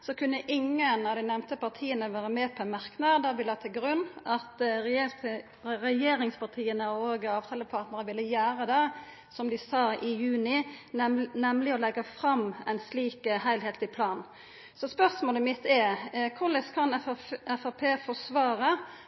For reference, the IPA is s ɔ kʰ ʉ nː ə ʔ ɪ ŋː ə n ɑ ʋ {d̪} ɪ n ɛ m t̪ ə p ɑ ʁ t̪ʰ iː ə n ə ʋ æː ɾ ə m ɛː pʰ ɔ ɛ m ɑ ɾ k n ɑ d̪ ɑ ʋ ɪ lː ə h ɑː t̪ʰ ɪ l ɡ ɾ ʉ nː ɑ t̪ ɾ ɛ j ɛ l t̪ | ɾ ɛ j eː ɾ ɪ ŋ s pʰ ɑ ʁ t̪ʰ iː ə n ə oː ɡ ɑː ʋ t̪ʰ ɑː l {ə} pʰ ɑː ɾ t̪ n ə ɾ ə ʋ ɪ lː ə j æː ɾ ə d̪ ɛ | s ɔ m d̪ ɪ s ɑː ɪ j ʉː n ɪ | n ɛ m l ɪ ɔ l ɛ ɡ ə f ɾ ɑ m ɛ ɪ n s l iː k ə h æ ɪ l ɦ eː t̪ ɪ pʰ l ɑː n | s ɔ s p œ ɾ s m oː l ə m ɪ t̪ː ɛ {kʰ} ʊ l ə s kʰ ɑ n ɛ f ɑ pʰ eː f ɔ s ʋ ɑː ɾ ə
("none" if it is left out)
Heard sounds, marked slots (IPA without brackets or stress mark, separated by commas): d̪, ə, kʰ